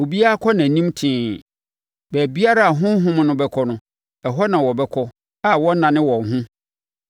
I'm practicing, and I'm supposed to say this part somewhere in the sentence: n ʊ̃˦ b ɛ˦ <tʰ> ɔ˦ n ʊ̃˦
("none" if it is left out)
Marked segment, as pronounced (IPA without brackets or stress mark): kʰ